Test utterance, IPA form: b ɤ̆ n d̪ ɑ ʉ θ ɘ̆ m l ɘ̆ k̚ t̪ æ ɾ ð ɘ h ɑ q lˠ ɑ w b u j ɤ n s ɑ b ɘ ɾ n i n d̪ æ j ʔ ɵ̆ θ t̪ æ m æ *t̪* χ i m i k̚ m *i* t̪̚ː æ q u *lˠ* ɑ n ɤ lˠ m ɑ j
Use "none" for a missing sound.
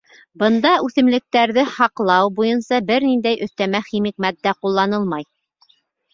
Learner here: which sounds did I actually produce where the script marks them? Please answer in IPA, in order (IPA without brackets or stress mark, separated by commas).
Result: none, æ, lˠː